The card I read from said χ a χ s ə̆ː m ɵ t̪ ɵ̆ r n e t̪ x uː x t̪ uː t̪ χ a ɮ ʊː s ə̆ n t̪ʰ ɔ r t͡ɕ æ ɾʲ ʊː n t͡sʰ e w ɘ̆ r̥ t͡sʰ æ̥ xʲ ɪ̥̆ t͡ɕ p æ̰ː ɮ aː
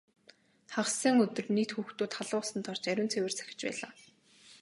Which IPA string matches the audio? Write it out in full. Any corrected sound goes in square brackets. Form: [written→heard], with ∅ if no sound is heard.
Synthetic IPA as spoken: χ a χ s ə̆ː [m→ŋ] ɵ t̪ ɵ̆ r n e t̪ x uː x t̪ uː t̪ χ a ɮ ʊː s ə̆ n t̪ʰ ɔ r t͡ɕ æ ɾʲ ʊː n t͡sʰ e w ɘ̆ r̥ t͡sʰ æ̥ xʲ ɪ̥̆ t͡ɕ p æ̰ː ɮ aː